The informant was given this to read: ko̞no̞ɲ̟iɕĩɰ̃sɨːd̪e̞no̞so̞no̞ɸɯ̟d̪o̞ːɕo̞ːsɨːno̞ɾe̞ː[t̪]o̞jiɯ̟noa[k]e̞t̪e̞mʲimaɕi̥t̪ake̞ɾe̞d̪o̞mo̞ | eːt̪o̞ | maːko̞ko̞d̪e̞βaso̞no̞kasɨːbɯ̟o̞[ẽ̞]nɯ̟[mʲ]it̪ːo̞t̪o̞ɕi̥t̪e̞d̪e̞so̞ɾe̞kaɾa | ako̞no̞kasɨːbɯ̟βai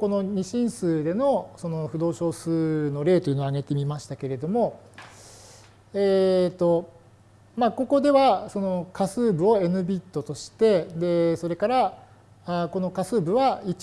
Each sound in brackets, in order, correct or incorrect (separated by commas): correct, incorrect, incorrect, incorrect